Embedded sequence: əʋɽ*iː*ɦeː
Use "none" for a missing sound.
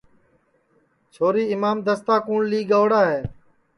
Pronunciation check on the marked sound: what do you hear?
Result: aː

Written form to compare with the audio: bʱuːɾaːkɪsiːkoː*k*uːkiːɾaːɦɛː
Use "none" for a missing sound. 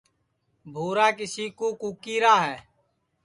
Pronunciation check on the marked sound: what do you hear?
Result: k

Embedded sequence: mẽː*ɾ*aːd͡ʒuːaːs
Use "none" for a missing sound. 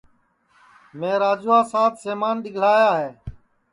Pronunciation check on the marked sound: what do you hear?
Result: ɾ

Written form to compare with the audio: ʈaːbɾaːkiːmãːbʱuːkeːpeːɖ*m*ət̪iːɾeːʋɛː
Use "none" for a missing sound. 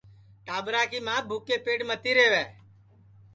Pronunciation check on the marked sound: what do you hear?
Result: m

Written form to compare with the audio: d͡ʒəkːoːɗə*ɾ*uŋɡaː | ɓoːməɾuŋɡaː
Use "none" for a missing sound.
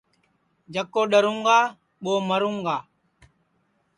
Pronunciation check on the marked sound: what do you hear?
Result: ɾ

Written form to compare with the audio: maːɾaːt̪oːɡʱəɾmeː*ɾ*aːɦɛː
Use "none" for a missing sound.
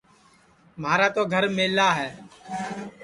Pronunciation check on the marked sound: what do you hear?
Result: l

